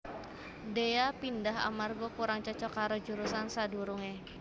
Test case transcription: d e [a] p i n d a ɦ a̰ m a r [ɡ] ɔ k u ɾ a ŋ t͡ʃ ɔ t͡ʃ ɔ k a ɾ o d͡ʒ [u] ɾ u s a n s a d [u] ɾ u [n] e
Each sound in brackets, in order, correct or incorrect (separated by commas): correct, correct, correct, correct, incorrect